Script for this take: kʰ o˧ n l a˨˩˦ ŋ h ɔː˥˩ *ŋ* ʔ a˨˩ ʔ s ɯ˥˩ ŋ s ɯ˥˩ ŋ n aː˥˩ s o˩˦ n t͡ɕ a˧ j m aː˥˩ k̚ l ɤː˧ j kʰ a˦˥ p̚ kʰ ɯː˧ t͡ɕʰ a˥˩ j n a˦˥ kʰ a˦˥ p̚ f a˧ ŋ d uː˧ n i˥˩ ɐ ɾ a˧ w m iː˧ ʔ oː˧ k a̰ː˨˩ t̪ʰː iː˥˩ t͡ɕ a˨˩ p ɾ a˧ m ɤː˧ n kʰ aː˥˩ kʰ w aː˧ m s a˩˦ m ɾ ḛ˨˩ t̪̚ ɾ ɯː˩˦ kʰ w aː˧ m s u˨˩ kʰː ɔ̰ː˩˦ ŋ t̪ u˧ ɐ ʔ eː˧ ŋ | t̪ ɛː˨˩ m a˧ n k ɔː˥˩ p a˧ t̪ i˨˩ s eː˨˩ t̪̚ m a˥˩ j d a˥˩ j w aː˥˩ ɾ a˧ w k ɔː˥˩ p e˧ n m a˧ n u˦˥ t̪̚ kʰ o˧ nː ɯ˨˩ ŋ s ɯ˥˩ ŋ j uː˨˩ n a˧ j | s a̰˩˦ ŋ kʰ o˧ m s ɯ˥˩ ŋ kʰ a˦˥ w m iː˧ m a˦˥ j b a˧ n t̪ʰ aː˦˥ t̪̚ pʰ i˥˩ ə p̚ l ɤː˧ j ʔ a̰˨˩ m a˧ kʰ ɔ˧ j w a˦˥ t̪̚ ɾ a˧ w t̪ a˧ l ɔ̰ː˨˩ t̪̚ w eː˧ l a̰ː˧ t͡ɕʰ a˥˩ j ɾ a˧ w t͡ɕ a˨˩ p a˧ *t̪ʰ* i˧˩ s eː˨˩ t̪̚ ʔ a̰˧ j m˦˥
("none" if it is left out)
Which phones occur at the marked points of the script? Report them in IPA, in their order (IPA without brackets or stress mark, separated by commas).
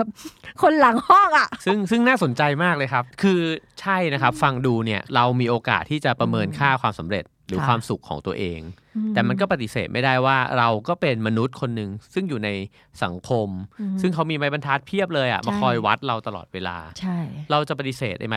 ŋ, t̪